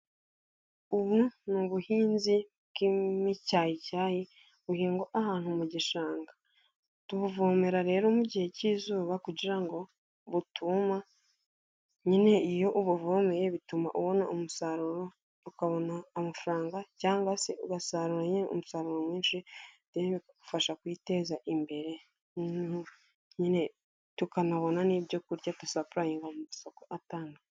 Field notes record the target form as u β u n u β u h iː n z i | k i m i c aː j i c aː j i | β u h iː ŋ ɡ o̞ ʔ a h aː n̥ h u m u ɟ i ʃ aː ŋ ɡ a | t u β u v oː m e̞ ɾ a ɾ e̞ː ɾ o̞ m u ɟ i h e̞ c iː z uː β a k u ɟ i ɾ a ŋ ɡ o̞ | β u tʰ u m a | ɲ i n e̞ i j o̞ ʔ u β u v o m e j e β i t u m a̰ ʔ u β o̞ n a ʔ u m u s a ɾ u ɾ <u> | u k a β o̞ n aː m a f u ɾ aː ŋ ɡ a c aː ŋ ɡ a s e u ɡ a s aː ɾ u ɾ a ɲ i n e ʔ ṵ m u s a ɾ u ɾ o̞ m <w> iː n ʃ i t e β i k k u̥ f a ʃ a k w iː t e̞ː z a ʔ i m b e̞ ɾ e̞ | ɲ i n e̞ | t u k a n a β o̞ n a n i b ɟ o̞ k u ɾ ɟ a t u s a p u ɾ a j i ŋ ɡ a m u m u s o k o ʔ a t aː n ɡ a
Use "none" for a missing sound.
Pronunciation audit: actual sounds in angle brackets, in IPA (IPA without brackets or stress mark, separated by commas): o, w